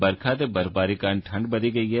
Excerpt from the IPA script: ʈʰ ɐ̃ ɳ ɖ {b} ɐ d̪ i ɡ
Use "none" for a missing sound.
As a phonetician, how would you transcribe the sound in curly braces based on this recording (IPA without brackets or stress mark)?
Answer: b